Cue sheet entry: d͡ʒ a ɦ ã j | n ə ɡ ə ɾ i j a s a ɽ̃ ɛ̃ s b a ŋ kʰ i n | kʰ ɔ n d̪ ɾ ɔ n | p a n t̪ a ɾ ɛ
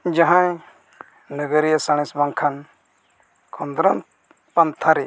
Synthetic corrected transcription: d͡ʒ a ɦ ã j | n ə ɡ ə ɾ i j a s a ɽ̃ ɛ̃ s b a ŋ kʰ a n | kʰ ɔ n d̪ ɾ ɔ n | p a n t̪ʰ a ɾ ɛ